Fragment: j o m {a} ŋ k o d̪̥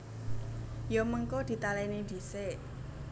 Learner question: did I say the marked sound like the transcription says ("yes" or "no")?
no